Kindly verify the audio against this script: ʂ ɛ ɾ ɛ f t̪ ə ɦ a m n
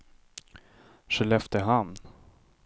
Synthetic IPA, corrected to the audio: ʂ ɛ l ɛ f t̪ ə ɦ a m n